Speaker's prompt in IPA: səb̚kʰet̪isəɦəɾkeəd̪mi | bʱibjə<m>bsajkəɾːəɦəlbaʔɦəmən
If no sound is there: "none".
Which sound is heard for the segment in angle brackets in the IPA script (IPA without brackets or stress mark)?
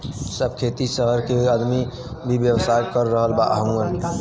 none